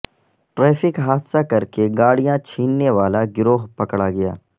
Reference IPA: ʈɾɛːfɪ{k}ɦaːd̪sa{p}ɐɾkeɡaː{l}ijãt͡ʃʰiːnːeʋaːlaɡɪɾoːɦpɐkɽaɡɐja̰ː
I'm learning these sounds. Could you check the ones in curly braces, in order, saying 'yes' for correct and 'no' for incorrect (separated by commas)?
yes, no, no